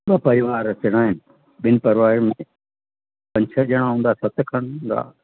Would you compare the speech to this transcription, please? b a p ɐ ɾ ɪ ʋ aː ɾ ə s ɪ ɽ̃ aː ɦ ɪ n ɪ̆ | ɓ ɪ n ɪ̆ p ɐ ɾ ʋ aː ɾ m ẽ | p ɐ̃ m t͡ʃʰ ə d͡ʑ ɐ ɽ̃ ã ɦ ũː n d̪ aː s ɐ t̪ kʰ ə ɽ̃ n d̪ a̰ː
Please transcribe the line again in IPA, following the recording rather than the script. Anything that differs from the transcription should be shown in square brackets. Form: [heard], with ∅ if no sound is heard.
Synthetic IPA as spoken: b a p ɐ ɾ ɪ ʋ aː ɾ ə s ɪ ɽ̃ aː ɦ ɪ n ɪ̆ | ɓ ɪ n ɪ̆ p ɐ ɾ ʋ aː ɾ m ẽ | p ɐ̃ [ɲ] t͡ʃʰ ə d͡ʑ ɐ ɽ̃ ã ɦ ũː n d̪ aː s ɐ t̪ kʰ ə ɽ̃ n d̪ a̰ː